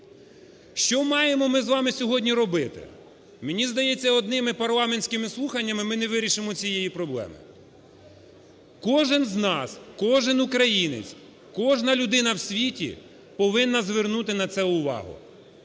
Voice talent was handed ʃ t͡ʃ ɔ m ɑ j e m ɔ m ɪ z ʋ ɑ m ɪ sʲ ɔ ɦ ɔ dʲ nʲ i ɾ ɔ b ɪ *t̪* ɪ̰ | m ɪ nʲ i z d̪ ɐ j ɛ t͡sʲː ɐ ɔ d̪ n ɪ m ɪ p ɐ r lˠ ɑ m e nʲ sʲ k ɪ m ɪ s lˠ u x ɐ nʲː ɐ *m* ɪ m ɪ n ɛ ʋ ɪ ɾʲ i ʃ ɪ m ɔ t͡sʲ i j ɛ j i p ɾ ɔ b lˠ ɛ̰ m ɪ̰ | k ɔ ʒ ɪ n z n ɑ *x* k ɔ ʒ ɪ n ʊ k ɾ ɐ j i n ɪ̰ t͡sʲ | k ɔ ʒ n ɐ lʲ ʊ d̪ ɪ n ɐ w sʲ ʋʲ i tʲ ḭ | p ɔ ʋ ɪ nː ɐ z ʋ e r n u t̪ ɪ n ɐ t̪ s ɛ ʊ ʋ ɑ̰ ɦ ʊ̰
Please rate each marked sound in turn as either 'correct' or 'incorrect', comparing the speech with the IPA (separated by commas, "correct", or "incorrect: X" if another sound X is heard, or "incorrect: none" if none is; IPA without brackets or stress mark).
correct, correct, incorrect: s